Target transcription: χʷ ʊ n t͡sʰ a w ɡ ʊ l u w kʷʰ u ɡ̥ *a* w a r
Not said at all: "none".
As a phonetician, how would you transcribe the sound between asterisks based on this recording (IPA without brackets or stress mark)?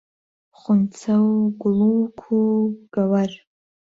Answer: a